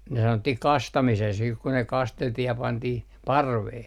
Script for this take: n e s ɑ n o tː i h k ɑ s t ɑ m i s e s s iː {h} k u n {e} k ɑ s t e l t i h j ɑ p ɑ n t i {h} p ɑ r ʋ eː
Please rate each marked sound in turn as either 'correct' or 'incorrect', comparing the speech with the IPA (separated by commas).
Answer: correct, correct, correct